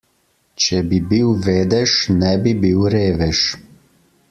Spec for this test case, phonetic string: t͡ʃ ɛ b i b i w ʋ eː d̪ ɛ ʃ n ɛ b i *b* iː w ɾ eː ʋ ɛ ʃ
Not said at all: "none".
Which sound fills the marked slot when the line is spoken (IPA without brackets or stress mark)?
b